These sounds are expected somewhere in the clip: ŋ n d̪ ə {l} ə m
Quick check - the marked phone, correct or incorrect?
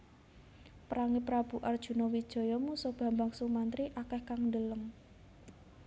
correct